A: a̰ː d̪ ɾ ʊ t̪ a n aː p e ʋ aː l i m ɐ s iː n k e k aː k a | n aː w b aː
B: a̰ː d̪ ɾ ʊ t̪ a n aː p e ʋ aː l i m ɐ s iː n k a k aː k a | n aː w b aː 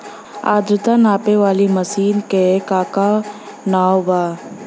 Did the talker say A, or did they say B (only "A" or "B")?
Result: A